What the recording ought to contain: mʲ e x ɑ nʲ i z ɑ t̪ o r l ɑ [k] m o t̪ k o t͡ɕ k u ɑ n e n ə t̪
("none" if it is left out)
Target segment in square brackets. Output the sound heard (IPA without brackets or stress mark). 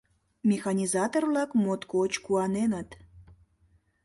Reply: k